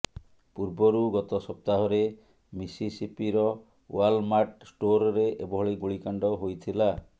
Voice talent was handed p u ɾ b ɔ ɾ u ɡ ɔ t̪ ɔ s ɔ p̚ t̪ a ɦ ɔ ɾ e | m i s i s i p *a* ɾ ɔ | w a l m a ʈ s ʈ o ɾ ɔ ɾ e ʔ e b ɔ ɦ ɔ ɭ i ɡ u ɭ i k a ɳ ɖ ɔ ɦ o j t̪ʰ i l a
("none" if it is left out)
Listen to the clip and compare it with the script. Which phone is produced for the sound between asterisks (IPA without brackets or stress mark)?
i